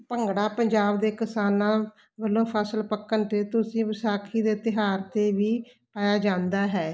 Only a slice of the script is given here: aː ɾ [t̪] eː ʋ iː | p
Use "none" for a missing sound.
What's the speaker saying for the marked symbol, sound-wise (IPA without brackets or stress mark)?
t̪